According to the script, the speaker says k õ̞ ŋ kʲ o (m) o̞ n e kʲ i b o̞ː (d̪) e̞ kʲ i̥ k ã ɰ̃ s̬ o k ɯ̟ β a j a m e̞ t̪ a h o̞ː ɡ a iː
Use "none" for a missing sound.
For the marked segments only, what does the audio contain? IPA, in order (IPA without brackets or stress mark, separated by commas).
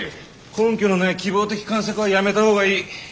n, t̪